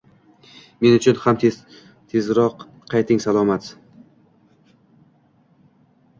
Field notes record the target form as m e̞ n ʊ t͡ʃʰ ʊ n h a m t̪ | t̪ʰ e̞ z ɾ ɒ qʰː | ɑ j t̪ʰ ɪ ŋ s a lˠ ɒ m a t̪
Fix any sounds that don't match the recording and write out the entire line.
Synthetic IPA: m e̞ n ʊ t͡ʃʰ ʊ n h a m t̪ | t̪ʰ e̞ z ɾ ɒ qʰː | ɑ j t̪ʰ ɪ ŋ s a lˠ ɒ m a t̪